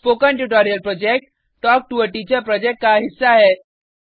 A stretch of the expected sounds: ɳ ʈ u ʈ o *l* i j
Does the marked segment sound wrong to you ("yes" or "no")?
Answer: yes